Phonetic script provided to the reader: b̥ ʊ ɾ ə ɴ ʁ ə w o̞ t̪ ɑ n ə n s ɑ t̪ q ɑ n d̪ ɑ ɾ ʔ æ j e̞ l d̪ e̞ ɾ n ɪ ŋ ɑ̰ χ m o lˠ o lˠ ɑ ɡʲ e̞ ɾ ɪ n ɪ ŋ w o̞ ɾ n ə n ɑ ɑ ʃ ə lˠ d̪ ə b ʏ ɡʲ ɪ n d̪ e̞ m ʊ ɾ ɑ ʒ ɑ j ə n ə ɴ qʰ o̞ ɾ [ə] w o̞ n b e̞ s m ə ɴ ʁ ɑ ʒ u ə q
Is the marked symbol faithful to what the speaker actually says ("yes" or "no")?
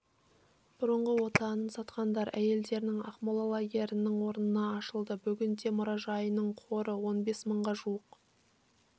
yes